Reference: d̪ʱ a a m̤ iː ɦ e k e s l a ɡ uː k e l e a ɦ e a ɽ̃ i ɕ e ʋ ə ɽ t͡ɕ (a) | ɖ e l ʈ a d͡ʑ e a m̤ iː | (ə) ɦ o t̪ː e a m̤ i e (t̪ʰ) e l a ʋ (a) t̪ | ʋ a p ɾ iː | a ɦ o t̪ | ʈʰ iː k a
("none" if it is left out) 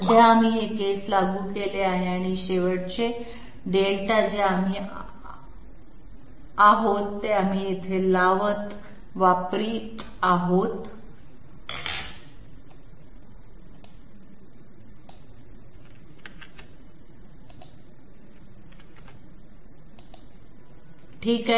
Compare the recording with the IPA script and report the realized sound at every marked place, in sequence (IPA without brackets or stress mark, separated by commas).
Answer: e, a, t̪ʰ, ə